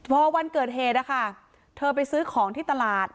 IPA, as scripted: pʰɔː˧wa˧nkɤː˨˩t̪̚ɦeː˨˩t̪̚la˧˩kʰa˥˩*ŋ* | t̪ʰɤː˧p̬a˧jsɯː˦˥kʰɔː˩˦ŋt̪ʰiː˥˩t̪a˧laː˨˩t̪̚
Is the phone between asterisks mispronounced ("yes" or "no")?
yes